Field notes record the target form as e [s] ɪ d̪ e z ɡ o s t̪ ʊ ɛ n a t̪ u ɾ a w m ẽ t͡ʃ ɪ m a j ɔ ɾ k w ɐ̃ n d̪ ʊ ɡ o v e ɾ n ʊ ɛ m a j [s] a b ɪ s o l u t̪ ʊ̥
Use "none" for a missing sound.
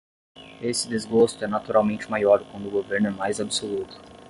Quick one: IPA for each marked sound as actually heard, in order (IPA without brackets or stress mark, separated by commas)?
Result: s, z